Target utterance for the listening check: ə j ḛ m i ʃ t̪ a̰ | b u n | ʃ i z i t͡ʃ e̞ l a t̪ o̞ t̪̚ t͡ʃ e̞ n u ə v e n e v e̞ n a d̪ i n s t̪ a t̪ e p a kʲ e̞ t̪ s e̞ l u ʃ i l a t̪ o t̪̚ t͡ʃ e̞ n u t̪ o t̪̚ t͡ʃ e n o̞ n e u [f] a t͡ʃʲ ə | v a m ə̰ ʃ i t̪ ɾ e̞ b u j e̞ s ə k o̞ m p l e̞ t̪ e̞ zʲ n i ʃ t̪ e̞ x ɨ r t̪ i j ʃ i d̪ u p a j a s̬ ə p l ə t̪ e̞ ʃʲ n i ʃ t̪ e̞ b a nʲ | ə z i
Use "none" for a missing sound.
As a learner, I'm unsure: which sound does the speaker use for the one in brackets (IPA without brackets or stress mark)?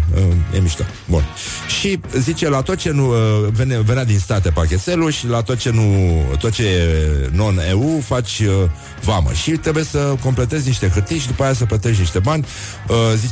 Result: f